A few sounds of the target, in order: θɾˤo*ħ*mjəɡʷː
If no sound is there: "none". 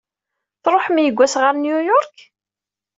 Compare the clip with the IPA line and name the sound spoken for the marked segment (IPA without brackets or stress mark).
ħ